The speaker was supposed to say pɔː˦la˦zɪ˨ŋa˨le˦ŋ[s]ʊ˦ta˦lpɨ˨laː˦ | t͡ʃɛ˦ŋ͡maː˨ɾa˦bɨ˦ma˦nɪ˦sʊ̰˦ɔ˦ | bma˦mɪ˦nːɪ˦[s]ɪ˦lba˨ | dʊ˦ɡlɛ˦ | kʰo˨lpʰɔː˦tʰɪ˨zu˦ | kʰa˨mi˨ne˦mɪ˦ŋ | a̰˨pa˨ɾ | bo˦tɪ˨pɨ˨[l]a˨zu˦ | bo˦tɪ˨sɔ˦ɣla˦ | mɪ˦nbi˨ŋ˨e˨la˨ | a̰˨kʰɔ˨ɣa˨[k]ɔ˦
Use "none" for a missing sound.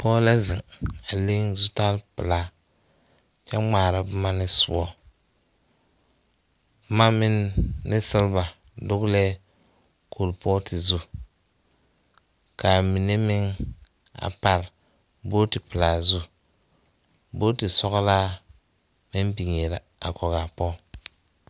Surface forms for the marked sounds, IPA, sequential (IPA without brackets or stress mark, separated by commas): z, s, l, p